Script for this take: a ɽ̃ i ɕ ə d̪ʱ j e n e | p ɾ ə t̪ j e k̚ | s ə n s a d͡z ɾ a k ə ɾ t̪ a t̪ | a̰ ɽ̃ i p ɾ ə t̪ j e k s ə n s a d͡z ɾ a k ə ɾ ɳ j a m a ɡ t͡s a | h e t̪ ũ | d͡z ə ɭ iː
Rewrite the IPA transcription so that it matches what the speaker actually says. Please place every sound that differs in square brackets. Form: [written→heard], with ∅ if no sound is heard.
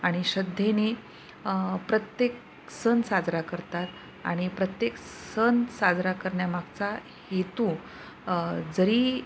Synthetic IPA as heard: a ɽ̃ i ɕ ə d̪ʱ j e n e | p ɾ ə t̪ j e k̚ | s ə n s a d͡z ɾ a k ə ɾ t̪ a t̪ | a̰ ɽ̃ i p ɾ ə t̪ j e k s ə n s a d͡z ɾ a k ə ɾ ɳ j a m a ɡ t͡s a | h e t̪ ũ | d͡z ə [ɭ→ɾ] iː